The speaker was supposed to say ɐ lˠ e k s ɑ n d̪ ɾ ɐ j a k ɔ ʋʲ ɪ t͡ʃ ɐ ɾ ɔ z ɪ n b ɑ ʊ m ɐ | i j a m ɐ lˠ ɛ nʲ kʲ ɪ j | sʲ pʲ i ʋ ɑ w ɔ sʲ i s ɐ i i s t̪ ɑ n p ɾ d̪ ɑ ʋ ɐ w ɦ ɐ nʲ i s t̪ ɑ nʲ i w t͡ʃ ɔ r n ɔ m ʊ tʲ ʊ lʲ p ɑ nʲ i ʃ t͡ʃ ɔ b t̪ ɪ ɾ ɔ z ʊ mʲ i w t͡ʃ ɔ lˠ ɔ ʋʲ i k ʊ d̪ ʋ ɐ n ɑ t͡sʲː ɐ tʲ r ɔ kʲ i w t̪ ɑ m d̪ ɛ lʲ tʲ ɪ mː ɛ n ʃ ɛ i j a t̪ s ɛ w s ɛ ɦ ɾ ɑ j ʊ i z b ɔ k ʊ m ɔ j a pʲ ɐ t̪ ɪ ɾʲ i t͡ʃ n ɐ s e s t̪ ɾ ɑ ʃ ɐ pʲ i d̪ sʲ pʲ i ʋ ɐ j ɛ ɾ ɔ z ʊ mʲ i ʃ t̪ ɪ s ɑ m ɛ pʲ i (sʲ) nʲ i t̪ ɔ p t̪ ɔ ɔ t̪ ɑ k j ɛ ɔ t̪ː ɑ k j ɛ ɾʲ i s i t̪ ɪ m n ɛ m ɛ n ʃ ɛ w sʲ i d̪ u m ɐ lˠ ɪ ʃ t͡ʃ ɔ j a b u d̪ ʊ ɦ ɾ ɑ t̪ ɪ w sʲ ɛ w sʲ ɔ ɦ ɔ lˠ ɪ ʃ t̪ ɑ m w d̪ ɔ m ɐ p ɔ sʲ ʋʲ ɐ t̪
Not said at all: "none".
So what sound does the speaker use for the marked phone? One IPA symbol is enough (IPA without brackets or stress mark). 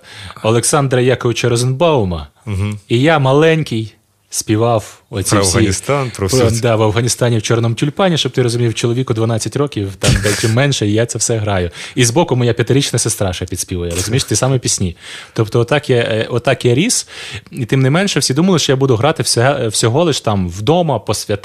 sʲ